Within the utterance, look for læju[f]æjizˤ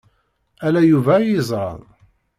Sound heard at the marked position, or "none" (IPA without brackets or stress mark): v